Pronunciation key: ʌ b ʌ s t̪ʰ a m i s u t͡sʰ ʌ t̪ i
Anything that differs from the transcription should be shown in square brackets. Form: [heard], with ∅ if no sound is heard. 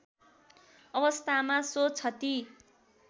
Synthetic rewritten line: ʌ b ʌ s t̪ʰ a m [a] s [o] t͡sʰ ʌ t̪ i